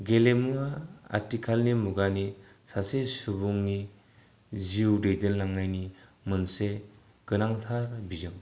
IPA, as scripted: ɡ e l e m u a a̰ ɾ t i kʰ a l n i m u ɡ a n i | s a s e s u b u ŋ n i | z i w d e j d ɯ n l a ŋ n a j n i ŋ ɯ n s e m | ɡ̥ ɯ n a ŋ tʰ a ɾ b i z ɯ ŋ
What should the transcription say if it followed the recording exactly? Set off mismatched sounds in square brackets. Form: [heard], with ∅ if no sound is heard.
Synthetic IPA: ɡ e l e m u a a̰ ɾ t i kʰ a l n i m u ɡ a n i | s a s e s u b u ŋ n i | z i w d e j d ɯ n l a ŋ n a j n i [m] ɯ n s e [∅] | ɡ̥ ɯ n a ŋ tʰ a ɾ b i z ɯ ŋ